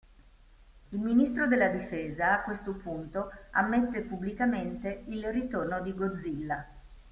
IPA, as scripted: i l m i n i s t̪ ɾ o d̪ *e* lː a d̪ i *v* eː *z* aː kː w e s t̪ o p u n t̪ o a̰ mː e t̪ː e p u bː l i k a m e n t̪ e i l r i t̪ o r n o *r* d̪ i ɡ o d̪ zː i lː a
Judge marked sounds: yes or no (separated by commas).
yes, no, yes, no